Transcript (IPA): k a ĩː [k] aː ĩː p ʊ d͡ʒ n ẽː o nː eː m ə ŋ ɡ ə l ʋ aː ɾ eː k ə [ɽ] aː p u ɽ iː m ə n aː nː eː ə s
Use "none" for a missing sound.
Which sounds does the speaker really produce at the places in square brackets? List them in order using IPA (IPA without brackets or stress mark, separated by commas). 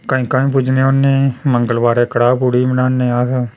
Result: k, ɽ